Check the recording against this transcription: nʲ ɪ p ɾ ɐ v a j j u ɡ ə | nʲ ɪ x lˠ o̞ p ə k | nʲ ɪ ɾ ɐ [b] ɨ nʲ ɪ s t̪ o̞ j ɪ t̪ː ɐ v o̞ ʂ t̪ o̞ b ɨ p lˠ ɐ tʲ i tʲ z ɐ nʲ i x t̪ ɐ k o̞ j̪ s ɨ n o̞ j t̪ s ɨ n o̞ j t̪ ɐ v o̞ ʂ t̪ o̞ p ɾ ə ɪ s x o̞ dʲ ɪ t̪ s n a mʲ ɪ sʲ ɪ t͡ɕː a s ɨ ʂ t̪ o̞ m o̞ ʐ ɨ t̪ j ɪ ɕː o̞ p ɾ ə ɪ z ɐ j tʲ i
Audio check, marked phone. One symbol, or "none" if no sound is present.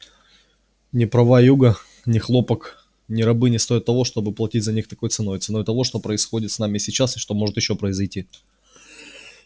b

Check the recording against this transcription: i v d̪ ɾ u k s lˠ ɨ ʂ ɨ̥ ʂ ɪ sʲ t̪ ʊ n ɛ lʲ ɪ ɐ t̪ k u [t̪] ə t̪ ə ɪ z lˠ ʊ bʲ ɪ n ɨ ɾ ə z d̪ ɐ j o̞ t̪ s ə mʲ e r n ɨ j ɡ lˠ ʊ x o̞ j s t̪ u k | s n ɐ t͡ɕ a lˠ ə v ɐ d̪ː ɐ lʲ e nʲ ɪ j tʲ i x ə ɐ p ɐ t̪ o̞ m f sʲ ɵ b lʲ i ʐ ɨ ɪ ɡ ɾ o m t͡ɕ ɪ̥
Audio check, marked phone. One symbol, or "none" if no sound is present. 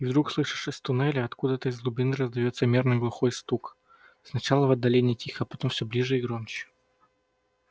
d̪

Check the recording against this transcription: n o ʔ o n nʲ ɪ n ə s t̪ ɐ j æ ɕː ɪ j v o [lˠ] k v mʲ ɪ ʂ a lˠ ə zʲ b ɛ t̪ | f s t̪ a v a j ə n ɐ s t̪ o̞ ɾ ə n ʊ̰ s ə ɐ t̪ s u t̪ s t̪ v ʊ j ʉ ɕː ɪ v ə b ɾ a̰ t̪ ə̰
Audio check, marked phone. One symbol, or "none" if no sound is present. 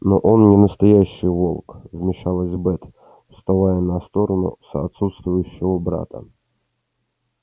lˠ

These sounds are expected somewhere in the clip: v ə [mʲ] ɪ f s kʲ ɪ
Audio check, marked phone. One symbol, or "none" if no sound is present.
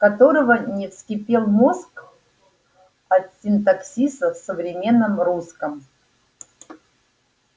nʲ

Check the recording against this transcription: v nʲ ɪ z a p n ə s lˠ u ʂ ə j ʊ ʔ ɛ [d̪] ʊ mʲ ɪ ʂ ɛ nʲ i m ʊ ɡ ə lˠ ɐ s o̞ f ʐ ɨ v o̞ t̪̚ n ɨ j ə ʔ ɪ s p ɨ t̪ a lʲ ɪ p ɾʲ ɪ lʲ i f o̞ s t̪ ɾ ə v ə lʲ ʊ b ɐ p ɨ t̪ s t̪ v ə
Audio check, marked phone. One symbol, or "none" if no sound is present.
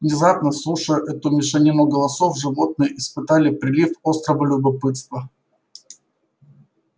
t̪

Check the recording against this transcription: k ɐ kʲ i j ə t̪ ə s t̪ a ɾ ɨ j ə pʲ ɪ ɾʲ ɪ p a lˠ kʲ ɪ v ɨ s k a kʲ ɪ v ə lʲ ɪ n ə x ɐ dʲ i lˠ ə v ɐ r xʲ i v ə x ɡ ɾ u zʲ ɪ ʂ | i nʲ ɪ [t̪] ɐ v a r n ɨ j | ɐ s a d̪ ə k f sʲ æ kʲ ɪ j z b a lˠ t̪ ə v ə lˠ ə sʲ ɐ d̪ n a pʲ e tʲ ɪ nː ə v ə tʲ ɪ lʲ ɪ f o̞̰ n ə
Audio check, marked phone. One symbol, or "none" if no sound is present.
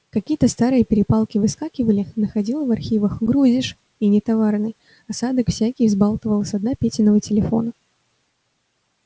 t̪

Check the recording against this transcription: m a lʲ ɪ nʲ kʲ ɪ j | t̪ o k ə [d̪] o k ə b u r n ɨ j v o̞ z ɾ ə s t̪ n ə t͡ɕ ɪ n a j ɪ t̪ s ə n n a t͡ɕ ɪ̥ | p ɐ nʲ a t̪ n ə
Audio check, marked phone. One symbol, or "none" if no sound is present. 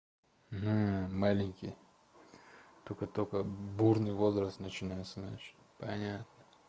t̪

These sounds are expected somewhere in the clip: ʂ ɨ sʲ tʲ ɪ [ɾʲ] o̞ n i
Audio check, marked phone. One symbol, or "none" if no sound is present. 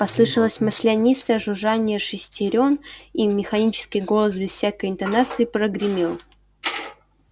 ɾʲ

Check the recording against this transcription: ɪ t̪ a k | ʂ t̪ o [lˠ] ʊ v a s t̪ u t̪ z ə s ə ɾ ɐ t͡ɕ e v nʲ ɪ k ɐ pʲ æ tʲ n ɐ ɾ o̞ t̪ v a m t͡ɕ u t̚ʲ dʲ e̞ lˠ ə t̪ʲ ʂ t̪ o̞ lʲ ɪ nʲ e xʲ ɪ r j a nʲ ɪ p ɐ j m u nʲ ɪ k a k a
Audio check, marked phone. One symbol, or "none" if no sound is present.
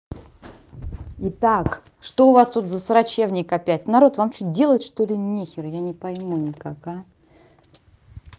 none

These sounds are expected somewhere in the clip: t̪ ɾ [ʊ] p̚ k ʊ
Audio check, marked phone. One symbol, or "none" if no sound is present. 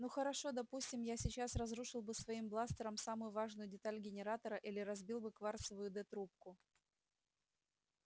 u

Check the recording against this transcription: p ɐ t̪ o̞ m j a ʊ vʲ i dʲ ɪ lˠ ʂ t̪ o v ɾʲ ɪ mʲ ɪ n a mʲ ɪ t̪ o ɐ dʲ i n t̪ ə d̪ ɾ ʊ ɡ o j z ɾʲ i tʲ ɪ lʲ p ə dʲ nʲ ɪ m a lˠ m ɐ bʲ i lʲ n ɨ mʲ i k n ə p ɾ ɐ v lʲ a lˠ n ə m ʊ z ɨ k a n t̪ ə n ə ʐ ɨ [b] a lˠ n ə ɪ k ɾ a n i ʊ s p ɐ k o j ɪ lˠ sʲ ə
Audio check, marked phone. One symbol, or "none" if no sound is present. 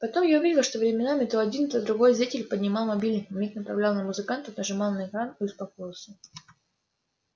m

